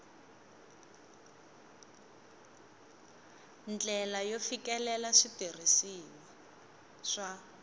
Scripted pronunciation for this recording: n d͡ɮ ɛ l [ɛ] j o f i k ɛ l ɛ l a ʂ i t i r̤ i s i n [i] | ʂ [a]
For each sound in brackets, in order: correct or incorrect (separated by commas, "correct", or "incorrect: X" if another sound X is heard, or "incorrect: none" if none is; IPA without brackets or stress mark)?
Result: incorrect: a, correct, correct